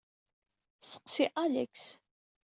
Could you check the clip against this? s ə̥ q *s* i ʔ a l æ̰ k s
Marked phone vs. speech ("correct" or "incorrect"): correct